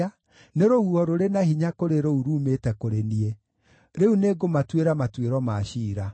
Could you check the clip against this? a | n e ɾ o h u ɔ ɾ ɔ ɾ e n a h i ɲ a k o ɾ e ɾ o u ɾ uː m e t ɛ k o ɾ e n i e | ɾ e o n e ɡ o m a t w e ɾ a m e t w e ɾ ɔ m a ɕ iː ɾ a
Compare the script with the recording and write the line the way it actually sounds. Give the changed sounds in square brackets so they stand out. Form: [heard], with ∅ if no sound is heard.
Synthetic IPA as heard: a | n e ɾ o h u ɔ ɾ [o] ɾ e n a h i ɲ a k o ɾ e ɾ o u ɾ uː m e t ɛ k o ɾ e n i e | ɾ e [u] n e ɡ o m a t w e ɾ a m [a] t w e ɾ ɔ m a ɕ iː ɾ a